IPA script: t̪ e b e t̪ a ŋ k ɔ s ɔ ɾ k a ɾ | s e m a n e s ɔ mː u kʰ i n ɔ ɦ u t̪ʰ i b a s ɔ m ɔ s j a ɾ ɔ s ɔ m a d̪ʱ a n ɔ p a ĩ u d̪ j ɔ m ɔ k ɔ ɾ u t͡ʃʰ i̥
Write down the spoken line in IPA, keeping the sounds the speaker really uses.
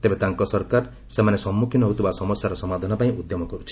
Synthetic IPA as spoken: t̪ e b e t̪ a ŋ k ɔ s ɔ ɾ k a ɾ | s e m a n e s ɔ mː u kʰ i n ɔ ɦ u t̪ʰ i b a s ɔ m ɔ s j a ɾ ɔ s ɔ m a d̪ʱ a n ɔ p a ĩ u d̪ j ɔ m ɔ k ɔ ɾ u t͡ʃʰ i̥